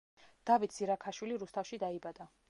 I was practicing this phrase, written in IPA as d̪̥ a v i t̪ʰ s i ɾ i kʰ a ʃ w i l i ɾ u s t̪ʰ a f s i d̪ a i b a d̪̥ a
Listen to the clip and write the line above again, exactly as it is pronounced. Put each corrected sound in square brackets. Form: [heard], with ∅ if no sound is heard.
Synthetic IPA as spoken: d̪̥ a v i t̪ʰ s i ɾ [a] kʰ a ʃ w i l i ɾ u s t̪ʰ a f [ʃ] i d̪ a i b a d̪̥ a